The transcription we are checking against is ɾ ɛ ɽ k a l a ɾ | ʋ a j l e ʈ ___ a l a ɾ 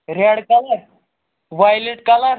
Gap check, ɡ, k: k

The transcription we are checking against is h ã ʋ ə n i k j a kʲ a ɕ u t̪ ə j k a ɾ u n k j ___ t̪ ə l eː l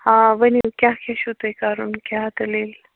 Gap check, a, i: a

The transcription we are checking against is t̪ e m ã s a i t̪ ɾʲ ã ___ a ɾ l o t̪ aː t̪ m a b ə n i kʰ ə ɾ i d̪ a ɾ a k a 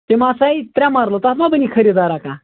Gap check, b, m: m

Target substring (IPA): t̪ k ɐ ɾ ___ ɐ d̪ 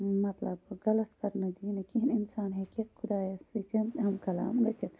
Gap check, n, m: n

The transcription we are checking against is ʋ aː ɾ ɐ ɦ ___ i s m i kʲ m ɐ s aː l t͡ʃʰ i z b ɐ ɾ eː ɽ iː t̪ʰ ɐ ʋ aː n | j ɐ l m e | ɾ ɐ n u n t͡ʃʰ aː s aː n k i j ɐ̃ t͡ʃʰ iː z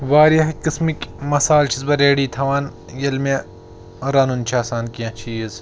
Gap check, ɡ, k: k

